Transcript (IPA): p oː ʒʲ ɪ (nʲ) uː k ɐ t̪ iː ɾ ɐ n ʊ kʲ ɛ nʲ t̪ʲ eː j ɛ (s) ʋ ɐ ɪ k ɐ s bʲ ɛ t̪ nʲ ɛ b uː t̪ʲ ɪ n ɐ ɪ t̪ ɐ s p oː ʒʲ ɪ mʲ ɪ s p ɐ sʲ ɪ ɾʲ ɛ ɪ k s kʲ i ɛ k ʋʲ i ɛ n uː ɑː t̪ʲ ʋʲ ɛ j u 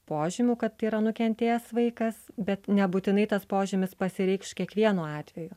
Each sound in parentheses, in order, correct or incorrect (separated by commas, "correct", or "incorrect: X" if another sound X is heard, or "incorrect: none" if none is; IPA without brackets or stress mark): incorrect: mʲ, correct